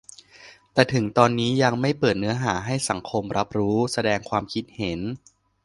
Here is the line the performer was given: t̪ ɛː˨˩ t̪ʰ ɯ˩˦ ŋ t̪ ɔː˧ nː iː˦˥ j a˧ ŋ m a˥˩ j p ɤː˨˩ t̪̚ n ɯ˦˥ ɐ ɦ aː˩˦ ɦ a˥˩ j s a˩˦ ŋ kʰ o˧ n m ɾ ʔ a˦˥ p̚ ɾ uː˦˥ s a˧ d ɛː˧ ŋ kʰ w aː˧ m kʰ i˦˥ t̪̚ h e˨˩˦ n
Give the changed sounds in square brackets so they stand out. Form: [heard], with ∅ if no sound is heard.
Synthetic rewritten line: t̪ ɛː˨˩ t̪ʰ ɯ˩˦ ŋ t̪ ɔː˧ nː iː˦˥ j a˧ ŋ m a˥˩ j p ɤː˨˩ t̪̚ n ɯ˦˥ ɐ ɦ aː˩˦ ɦ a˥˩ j s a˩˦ ŋ kʰ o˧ [∅] m ɾ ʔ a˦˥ p̚ ɾ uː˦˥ s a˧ d ɛː˧ ŋ kʰ w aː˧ m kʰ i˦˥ t̪̚ h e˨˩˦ n